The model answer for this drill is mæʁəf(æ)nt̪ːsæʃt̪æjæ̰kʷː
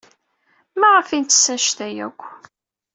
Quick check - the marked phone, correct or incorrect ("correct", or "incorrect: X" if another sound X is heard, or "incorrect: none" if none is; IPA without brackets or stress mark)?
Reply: incorrect: i